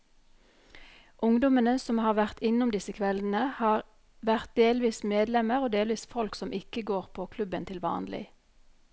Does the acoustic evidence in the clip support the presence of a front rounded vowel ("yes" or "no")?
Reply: no